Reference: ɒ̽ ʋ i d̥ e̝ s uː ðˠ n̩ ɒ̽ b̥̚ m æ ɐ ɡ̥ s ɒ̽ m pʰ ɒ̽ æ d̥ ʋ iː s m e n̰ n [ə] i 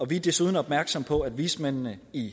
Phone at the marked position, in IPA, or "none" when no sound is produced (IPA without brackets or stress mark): ə